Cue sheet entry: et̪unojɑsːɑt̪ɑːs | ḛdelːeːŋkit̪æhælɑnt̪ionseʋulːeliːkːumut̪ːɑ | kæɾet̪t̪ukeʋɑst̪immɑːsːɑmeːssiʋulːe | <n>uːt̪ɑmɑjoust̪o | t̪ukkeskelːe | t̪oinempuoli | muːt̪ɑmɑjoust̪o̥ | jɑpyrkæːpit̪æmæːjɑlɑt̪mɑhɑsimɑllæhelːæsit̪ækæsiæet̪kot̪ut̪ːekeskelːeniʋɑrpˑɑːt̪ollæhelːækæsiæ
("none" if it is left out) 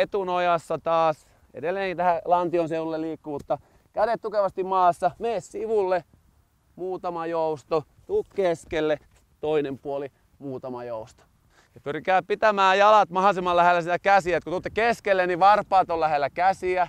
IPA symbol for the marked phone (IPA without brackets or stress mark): m